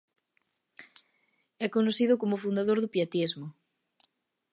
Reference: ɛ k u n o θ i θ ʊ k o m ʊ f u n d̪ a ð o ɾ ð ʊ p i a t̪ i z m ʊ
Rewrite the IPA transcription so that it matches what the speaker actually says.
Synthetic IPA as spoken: ɛ k o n o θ i ð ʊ k o m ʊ f u n d̪ a ð o ɾ ð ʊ p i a t̪ i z m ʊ